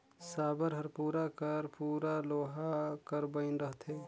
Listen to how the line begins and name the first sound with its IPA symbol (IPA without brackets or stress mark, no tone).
s